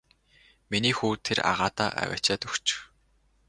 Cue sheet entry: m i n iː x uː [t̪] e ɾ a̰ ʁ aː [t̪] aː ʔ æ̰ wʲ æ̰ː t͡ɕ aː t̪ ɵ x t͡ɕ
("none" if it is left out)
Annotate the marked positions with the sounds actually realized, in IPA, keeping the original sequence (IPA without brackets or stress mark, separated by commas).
t̪ʰ, t̪